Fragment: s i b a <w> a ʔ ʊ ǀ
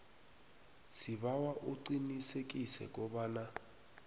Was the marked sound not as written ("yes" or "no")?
no